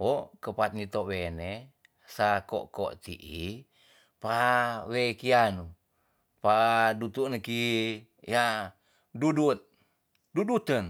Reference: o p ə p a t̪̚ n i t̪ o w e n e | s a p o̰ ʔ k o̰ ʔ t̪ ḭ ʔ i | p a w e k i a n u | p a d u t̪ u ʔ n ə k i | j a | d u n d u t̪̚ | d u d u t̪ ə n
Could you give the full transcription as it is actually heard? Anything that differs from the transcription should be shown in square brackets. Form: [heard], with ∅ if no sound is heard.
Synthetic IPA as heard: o [k] ə p a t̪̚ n i t̪ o w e n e | s a [k] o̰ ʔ k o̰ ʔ t̪ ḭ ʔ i | p a w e k i a n u | p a d u t̪ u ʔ n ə k i | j a | d u [∅] d u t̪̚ | d u d u t̪ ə n